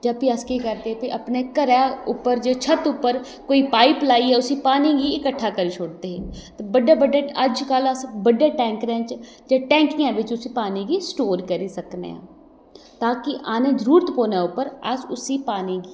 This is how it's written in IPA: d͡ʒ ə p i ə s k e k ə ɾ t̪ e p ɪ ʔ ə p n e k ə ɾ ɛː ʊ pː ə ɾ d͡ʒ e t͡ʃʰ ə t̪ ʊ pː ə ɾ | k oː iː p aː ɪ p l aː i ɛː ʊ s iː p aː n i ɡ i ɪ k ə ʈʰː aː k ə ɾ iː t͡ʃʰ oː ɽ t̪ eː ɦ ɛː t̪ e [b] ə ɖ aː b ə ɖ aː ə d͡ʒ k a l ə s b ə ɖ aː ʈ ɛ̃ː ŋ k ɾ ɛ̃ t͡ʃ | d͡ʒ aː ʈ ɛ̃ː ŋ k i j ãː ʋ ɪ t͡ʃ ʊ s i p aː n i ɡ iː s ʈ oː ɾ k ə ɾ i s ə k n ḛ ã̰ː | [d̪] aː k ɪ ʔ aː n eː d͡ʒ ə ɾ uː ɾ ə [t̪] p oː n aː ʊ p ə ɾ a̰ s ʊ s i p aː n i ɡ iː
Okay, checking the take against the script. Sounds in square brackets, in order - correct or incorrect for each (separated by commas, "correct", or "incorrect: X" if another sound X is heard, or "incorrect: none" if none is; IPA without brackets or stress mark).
correct, incorrect: t̪, correct